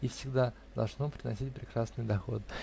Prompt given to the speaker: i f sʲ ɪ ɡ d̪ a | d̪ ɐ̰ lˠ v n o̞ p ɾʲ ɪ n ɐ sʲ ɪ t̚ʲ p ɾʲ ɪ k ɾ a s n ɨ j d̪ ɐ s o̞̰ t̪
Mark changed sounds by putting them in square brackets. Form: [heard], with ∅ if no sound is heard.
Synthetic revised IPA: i f sʲ ɪ ɡ d̪ a | d̪ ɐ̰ lˠ [ʐ] n o̞ p ɾʲ ɪ n ɐ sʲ [i] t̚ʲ p ɾʲ ɪ k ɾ a s n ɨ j d̪ ɐ [x] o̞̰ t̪